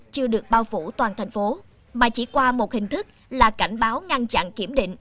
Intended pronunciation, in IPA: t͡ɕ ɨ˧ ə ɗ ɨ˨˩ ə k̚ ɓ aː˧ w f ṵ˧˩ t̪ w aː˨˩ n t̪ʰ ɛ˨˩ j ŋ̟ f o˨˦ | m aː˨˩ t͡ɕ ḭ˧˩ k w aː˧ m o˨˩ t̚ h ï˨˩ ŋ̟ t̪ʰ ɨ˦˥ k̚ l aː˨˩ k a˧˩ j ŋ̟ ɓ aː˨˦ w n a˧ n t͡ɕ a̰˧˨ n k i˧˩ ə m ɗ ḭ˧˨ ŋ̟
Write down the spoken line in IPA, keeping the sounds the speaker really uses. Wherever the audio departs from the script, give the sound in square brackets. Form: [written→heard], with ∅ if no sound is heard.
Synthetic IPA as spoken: t͡ɕ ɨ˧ ə ɗ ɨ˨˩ ə k̚ ɓ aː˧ w f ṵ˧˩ t̪ w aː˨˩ n t̪ʰ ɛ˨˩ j ŋ̟ f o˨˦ | m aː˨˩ t͡ɕ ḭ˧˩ k w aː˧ m o˨˩ t̚ h ï˨˩ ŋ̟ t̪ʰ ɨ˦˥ k̚ l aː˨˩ k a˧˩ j ŋ̟ ɓ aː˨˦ w [n→ŋ] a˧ n t͡ɕ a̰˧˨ n k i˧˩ ə m ɗ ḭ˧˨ ŋ̟